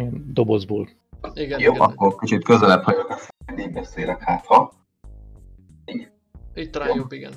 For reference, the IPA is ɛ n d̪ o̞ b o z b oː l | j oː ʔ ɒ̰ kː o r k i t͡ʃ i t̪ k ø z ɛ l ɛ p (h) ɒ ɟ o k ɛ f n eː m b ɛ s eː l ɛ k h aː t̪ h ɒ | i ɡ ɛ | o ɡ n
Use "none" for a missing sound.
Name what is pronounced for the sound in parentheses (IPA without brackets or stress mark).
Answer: h